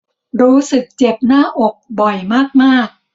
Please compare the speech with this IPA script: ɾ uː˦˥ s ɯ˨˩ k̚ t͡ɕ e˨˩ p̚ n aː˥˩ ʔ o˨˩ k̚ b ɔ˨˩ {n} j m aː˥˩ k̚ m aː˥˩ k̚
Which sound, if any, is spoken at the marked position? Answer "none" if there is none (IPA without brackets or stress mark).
none